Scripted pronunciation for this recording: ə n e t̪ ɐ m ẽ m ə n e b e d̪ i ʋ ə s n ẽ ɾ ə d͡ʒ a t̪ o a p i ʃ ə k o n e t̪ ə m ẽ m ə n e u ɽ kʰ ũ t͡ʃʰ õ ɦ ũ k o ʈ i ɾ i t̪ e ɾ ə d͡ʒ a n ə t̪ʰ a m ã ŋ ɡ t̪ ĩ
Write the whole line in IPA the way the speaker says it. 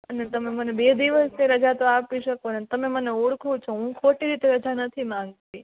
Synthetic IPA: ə n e t̪ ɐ m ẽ m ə n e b e d̪ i ʋ ə s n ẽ ɾ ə d͡ʒ a t̪ o a p i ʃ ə k o n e t̪ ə m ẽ m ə n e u ɽ kʰ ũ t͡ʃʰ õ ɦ ũ kʰ o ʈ i ɾ i t̪ e ɾ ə d͡ʒ a n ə t̪ʰ i m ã ŋ ɡ t̪ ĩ